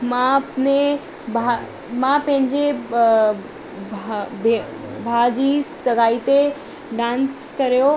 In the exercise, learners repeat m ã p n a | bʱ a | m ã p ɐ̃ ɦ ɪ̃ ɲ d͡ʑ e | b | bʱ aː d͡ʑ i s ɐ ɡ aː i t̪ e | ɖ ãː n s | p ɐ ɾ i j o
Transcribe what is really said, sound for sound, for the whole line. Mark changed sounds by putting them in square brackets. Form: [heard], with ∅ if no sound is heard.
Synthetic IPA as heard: m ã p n [e] | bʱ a | m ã p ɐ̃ ɦ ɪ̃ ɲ d͡ʑ e | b | bʱ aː d͡ʑ i s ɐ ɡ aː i t̪ e | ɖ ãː n s | [k] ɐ ɾ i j o